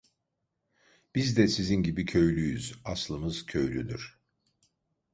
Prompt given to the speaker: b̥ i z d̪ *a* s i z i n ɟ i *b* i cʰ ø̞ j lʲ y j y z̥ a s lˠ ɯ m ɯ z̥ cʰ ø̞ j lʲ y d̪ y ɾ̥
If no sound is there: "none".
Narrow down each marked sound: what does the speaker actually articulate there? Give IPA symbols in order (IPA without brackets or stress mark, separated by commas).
ɛ, b